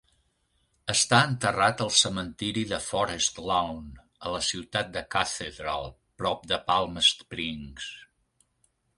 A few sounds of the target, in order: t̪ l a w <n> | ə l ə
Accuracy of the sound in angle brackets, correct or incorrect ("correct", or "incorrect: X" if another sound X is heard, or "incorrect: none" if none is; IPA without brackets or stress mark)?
correct